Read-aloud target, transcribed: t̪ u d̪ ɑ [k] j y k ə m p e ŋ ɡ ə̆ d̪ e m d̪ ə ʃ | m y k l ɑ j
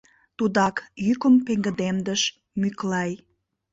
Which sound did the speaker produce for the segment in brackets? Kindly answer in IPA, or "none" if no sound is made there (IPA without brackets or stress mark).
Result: k